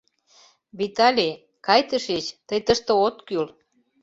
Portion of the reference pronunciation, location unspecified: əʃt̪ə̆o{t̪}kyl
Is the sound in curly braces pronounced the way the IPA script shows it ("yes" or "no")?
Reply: yes